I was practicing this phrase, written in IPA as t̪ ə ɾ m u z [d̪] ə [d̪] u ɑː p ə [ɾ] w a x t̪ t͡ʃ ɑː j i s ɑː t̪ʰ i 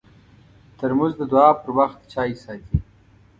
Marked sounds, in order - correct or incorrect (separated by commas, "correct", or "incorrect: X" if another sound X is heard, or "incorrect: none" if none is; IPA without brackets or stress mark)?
correct, correct, correct